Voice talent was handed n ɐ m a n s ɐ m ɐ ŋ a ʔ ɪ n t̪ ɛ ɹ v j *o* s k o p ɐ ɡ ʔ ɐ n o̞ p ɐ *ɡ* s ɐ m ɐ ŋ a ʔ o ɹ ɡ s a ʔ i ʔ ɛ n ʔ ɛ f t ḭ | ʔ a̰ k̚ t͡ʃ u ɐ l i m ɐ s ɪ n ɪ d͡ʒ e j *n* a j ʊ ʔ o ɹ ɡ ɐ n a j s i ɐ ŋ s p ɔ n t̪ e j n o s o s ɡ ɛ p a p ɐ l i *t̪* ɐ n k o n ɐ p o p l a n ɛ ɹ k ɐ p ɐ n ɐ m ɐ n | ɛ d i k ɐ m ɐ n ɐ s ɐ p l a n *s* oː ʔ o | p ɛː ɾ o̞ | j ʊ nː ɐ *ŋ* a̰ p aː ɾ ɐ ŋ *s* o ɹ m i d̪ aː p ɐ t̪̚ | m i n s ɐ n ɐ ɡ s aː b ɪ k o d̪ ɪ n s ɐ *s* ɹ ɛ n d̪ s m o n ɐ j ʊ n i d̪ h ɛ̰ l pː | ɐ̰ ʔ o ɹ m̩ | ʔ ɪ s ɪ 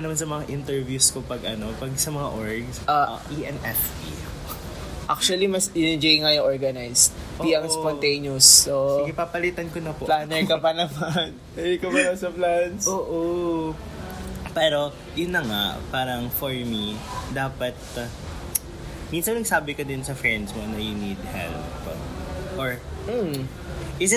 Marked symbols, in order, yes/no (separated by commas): no, yes, no, yes, yes, yes, no, no